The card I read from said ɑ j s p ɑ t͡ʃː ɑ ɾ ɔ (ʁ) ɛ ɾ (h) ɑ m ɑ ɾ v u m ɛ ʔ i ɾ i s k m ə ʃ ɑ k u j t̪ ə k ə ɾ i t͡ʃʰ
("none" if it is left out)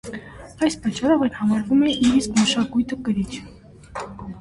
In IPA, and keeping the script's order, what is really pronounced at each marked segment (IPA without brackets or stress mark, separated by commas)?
v, h